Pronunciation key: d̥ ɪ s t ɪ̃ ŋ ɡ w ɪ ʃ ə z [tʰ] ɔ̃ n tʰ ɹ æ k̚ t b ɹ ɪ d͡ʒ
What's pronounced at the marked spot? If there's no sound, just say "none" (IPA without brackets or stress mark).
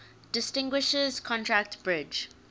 kʰ